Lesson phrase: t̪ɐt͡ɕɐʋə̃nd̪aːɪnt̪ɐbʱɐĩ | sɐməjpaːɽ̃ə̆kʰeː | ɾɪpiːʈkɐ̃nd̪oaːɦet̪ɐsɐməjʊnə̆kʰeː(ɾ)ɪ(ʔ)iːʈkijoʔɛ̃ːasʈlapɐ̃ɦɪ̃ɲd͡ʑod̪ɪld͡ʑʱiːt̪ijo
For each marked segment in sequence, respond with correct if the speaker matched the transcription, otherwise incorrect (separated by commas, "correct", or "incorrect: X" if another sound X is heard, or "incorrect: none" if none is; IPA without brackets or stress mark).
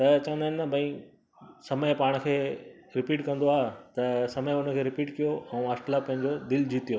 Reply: correct, incorrect: p